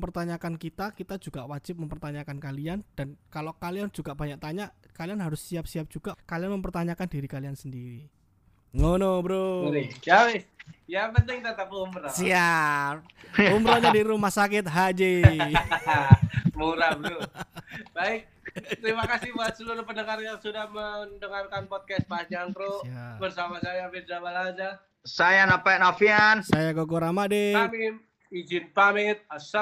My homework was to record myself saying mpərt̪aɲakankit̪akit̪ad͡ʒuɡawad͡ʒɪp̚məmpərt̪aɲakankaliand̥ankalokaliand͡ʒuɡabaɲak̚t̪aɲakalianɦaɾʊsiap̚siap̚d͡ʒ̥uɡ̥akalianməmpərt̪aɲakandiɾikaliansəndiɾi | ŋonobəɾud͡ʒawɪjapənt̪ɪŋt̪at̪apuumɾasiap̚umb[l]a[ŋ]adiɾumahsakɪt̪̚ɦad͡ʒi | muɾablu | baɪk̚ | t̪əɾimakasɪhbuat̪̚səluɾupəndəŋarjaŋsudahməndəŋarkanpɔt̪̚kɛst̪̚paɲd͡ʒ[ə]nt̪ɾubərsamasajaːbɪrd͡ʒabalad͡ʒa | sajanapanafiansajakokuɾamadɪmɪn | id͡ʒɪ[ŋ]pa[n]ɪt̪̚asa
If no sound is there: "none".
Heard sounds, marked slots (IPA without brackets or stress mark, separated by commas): ɾ, ɲ, a, n, m